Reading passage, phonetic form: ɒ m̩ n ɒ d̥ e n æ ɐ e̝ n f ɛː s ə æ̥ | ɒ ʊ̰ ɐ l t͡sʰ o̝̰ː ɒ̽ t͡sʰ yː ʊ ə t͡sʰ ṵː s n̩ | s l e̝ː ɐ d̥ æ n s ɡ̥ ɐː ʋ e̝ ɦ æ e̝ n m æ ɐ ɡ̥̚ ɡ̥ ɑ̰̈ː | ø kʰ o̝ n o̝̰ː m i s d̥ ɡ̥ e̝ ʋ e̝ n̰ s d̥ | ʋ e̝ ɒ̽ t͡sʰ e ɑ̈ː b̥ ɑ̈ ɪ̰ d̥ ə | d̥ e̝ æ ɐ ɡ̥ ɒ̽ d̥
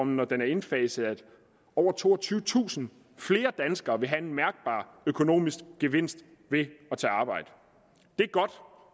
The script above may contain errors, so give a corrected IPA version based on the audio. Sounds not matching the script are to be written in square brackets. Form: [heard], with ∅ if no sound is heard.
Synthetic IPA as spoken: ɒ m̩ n ɒ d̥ e n æ ɐ e̝ n f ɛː s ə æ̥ | ɒ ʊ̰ ɐ [∅] t͡sʰ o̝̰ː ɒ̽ t͡sʰ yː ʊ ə t͡sʰ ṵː s n̩ | [f] l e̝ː ɐ d̥ æ n s ɡ̥ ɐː ʋ e̝ ɦ æ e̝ n m æ ɐ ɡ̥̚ [b̥] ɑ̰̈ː | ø kʰ o̝ n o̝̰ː m i s [ɡ̥] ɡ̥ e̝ ʋ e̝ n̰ s d̥ | ʋ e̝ ɒ̽ t͡sʰ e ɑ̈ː b̥ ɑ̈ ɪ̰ d̥ ə | d̥ e̝ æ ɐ ɡ̥ ɒ̽ d̥